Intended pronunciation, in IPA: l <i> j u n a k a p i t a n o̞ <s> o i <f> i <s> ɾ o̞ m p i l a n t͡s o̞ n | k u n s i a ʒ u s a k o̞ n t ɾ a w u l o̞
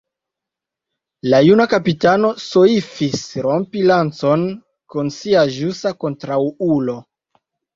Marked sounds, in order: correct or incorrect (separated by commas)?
incorrect, correct, correct, correct